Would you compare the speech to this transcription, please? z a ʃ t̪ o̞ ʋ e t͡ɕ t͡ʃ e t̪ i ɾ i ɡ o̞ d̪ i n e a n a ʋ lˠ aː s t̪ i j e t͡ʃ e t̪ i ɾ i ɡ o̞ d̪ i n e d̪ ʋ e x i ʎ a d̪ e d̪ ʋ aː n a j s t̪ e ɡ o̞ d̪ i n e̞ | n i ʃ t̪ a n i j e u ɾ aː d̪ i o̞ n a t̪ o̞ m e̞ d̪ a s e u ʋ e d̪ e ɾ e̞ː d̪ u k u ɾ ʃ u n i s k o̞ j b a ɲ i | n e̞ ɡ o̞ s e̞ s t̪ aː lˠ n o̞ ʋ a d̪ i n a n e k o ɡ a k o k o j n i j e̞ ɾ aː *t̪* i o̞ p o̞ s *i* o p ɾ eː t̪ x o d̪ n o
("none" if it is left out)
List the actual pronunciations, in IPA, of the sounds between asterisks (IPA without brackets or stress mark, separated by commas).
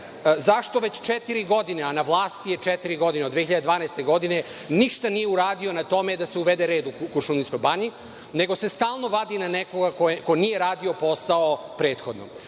d̪, a